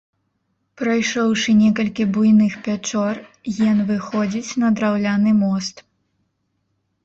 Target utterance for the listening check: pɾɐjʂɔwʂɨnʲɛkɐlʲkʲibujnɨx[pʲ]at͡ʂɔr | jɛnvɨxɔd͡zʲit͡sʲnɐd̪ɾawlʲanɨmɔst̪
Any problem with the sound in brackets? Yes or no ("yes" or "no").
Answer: no